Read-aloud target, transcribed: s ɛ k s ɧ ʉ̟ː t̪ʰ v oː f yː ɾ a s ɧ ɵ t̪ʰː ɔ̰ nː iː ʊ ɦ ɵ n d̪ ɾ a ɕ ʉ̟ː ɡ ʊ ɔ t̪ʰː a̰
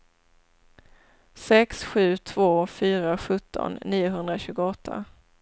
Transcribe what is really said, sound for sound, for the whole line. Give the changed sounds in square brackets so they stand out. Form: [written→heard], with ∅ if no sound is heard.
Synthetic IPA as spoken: s ɛ k s ɧ ʉ̟ː t̪ʰ v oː f yː ɾ a [s→∅] ɧ ɵ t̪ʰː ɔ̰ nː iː ʊ ɦ ɵ n d̪ ɾ a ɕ ʉ̟ː ɡ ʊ ɔ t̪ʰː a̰